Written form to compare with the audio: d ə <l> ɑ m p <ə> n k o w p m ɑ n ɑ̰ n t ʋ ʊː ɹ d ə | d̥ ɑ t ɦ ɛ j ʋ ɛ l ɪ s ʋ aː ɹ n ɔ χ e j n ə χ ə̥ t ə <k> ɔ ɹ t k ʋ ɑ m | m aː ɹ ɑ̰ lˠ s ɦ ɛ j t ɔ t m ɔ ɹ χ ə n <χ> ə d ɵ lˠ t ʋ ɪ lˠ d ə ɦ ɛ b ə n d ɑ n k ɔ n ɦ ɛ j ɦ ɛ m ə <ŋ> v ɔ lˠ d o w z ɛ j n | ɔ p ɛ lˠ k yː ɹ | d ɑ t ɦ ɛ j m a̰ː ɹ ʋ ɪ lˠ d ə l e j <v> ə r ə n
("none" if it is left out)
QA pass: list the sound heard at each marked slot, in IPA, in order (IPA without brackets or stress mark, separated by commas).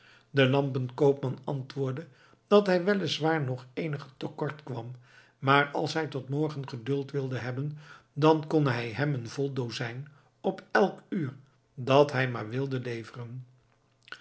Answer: l, ə, k, χ, n, v